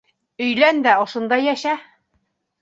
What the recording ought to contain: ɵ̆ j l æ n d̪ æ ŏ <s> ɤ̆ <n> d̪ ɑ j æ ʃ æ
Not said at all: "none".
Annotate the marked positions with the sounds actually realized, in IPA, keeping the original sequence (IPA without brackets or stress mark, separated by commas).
ʃ, n